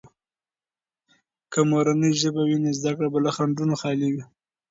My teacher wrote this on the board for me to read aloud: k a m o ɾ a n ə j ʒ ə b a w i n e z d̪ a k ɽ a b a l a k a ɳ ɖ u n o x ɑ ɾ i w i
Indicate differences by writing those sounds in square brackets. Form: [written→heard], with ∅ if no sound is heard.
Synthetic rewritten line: k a m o ɾ a n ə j ʒ ə b a w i n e z d̪ a k ɽ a b a l a [k→x] a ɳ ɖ u n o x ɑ [ɾ→l] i w i